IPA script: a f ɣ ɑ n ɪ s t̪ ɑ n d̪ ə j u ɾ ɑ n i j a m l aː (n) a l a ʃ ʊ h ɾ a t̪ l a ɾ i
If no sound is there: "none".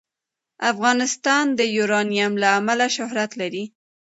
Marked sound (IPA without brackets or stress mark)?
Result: m